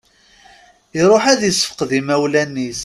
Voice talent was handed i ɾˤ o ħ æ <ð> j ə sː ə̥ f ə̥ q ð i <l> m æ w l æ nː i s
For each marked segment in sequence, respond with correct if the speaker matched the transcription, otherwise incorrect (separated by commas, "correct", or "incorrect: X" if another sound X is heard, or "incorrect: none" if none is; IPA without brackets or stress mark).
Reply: correct, incorrect: none